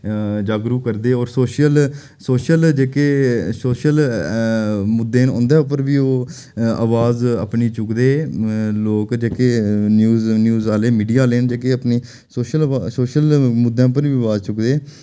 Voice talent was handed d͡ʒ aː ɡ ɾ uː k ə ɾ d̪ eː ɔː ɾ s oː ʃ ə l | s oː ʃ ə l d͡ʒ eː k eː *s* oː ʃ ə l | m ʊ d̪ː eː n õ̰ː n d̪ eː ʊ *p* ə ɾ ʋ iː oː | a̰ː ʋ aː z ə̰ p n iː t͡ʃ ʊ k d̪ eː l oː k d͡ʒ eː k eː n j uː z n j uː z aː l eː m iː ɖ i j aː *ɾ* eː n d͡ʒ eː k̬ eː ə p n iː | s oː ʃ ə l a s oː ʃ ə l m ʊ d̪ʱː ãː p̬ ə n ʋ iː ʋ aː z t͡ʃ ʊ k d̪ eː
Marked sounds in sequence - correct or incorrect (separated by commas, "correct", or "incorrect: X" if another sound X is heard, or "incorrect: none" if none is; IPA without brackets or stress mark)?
correct, correct, incorrect: l